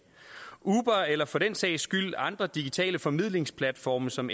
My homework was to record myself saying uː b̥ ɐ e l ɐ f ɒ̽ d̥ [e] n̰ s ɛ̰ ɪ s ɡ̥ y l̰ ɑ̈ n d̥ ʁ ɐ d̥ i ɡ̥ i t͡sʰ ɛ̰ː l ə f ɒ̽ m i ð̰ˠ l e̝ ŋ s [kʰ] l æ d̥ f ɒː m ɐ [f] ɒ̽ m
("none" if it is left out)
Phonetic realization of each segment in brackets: e, pʰ, s

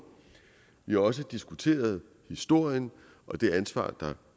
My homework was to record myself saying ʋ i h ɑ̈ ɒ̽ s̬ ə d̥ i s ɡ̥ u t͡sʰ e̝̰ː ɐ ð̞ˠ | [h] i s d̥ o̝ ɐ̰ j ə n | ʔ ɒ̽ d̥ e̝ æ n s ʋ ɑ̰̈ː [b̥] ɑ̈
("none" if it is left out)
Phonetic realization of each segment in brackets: h, d̥

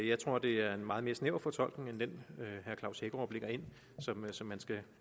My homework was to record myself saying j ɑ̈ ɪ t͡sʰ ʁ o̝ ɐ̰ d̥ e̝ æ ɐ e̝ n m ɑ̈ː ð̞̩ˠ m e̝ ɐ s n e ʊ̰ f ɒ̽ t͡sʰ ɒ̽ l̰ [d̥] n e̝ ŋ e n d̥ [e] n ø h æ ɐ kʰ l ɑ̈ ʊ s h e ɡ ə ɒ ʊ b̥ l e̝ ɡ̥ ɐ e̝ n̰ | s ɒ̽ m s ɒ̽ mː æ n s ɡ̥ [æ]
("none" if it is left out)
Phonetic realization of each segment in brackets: ɡ̥, e, æ

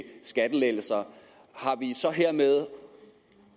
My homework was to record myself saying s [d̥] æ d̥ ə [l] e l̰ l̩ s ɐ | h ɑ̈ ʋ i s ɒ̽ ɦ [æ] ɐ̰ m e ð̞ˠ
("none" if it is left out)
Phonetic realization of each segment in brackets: ɡ̥, l, e

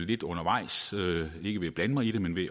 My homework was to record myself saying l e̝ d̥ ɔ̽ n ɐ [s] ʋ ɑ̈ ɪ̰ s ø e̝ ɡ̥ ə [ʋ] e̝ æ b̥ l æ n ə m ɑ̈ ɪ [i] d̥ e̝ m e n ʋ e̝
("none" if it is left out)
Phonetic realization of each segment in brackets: none, ʋ, i

